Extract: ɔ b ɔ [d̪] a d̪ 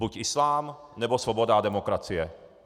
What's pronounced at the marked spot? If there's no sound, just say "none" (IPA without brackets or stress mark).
d̪